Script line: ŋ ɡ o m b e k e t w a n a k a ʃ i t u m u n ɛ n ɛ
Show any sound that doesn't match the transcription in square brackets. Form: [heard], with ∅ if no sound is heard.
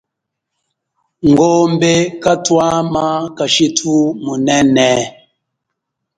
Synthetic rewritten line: ŋ ɡ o m b e k [a] t w a [m] a k a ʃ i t u m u n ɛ n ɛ